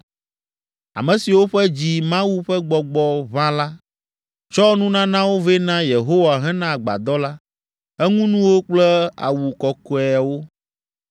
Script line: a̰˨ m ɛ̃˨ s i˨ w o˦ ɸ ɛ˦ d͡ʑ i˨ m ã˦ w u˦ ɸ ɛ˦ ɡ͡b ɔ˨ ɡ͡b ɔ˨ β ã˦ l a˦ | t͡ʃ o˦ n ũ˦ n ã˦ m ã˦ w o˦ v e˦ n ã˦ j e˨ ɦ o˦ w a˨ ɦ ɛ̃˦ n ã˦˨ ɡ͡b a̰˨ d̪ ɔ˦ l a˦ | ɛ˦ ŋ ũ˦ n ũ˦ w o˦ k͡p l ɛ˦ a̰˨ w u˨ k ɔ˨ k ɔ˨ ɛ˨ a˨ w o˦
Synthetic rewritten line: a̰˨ m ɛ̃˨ s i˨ w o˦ ɸ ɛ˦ d͡ʑ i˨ m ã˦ w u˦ ɸ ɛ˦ ɡ͡b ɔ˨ ɡ͡b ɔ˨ β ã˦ l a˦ | t͡ʃ ɔ˦ n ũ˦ n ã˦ n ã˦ w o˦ v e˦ n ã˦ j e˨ ɦ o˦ w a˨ ɦ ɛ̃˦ n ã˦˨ ɡ͡b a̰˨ d̪ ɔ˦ l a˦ | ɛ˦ ŋ ũ˦ n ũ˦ w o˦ k͡p l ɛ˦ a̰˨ w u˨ k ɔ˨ k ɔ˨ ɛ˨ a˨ w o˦